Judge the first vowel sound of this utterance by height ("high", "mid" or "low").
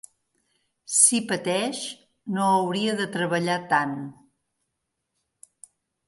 high